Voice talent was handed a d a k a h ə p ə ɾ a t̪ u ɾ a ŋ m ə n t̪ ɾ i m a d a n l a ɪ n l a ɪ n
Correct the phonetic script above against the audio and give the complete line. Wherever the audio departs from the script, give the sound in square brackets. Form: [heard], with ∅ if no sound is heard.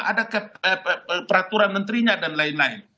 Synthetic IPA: a d a k a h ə p ə ɾ a t̪ u ɾ a [n] m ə n t̪ ɾ i [ɲ] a d a n l a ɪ n l a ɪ n